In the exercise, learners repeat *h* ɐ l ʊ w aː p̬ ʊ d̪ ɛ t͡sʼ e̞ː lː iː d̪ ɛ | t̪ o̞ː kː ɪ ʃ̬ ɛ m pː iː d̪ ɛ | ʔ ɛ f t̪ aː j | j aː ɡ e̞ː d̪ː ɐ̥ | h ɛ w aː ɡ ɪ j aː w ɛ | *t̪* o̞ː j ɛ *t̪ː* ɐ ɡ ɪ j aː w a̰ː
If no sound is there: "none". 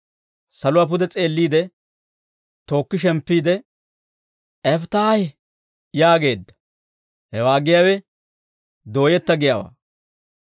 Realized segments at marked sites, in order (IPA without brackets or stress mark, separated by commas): s, d̪, t̪ː